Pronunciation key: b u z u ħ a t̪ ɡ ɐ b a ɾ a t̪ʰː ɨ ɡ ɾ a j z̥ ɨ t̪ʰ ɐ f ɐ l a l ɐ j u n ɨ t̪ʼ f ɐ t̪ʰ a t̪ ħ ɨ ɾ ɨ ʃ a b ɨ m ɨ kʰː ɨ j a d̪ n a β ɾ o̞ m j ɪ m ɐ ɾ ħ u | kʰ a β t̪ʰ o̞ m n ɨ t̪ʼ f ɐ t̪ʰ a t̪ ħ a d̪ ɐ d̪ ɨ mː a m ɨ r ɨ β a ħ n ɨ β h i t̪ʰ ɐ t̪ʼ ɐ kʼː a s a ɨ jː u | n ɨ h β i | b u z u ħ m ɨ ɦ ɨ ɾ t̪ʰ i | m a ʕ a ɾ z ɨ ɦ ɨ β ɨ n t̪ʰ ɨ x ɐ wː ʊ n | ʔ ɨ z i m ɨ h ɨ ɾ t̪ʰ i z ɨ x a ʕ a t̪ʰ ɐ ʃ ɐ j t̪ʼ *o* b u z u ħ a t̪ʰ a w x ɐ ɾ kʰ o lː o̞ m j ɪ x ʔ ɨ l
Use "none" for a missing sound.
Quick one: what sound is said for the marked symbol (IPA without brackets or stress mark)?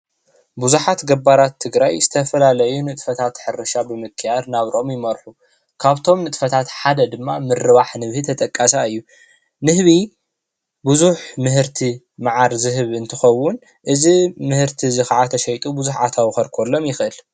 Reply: u